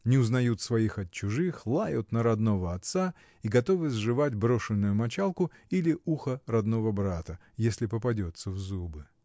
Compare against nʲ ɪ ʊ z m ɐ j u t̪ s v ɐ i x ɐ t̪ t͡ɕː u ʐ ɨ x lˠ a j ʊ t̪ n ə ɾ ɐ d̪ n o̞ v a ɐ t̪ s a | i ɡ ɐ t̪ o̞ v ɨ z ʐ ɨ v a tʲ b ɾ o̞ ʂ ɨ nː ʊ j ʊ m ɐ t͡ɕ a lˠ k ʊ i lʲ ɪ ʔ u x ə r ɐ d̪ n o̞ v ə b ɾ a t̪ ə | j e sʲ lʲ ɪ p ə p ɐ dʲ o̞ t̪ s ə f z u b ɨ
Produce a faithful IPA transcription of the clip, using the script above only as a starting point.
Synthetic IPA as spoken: nʲ ɪ ʊ z n ɐ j u t̪ s v ɐ i x ɐ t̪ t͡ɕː ʊ ʐ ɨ x lˠ a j ʊ t̪ n ə ɾ ɐ d̪ n o̞ v ə ɐ t̪ s a | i ɡ ɐ t̪ o̞ v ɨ z ʐ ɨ v a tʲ b ɾ o̞ ʂ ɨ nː ʊ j ʊ m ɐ t͡ɕ a lˠ k ʊ i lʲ ɪ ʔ u x ə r ɐ d̪ n o̞ v ə b ɾ a t̪ ə | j e sʲ lʲ ɪ p ə p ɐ dʲ o̞ t̪ s ə v z u b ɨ